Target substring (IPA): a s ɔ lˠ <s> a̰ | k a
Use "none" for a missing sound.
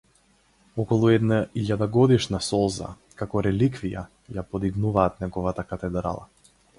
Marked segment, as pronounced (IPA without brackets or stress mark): z